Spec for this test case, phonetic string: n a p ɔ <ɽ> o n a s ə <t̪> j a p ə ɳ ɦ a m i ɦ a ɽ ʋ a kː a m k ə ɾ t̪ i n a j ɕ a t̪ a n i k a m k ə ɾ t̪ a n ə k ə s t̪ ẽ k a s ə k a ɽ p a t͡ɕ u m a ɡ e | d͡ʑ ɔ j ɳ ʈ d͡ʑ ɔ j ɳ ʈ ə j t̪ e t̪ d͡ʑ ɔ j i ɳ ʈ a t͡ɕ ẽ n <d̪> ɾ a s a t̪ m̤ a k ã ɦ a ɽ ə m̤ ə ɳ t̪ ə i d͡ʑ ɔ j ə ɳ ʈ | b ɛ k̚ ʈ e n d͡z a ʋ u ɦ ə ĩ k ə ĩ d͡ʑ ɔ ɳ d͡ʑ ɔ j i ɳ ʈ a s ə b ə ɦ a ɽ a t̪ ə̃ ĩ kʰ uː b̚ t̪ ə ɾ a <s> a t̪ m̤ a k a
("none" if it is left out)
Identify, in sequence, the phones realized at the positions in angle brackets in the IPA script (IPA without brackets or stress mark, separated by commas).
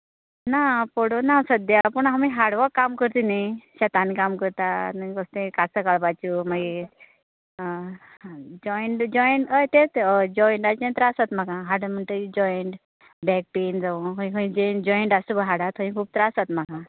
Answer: ɽ, d̪, t̪, s